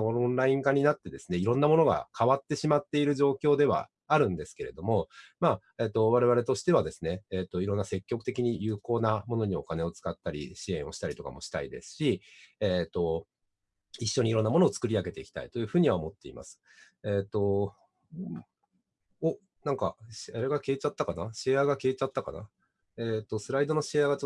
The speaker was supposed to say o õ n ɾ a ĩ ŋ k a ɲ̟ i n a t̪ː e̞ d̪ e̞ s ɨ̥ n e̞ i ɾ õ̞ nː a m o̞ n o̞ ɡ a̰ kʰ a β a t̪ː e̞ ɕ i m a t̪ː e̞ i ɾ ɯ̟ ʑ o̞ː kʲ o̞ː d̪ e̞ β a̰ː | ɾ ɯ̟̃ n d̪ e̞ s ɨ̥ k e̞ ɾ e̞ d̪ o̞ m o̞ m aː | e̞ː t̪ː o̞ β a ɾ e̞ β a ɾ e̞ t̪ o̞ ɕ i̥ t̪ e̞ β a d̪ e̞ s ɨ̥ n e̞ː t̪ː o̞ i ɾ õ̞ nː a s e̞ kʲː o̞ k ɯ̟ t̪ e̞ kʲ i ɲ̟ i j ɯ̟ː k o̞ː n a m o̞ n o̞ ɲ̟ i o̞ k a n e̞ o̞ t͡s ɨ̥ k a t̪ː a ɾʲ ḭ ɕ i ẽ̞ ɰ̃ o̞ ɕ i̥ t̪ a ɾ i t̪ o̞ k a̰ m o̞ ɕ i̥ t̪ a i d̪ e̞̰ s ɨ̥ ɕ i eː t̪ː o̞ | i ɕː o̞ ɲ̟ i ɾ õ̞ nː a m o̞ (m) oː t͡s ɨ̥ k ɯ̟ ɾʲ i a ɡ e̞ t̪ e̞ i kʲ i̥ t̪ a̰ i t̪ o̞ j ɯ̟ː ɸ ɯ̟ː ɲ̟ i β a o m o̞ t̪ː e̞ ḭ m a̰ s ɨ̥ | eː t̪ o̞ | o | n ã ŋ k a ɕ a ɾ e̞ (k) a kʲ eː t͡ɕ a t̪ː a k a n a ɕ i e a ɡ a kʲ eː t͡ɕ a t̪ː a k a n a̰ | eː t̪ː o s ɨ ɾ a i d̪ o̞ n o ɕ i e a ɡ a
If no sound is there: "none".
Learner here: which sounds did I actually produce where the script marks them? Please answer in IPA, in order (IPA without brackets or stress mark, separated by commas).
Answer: n, ɡ